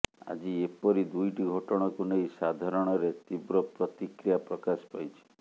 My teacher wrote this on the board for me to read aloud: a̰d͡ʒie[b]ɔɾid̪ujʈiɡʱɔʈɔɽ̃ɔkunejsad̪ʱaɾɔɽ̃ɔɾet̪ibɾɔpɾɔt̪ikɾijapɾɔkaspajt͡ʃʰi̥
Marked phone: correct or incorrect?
incorrect